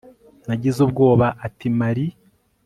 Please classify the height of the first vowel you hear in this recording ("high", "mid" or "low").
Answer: low